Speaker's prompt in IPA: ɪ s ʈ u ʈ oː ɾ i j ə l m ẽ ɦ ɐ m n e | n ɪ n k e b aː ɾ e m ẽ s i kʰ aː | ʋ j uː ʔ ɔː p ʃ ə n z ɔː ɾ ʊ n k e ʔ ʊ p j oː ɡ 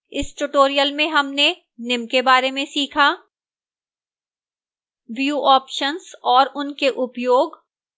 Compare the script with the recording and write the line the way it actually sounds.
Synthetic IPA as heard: ɪ s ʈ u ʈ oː ɾ i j ə l m ẽ ɦ ɐ m n e | n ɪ m k e b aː ɾ e m ẽ s iː kʰ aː | ʋ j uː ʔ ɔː p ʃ ə n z ɔː ɾ ʊ n k e ʔ ʊ p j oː ɡ